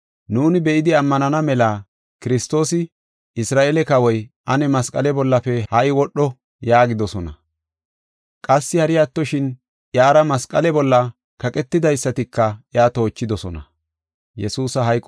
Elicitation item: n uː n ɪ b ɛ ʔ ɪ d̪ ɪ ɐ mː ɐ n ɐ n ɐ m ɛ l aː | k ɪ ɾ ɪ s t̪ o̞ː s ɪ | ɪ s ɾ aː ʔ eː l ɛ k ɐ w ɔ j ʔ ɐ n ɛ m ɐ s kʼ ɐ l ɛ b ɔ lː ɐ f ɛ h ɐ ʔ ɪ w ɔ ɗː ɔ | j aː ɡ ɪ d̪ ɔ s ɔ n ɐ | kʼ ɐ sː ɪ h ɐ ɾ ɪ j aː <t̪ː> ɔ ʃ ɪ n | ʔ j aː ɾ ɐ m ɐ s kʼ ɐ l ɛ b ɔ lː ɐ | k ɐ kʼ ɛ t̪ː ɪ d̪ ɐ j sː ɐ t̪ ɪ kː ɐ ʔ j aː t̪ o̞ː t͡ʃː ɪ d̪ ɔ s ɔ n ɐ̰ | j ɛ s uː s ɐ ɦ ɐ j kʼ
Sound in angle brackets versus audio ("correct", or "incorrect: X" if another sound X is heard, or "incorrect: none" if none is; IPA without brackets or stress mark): correct